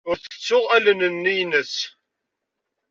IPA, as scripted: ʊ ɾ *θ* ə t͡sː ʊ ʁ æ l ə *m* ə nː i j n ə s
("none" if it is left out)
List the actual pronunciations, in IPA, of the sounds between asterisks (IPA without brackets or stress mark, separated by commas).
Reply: θ, n